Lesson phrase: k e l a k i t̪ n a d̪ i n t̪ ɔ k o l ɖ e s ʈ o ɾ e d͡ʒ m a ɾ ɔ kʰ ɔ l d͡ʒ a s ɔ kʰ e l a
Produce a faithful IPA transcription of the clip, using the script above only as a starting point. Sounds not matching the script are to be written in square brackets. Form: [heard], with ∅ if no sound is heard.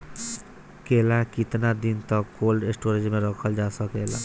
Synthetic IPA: k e l a k i t̪ n a d̪ i n t̪ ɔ k o l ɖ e s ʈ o ɾ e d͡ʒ m [e] ɾ ɔ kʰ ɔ l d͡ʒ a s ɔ [k] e l a